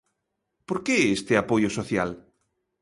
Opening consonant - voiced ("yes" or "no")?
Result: no